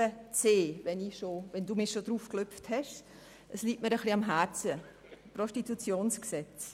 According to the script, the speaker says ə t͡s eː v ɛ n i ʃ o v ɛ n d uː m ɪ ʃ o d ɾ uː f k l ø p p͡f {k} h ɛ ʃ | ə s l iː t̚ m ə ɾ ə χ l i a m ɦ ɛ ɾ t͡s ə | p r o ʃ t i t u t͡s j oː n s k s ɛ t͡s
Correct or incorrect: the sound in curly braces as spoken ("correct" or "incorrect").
incorrect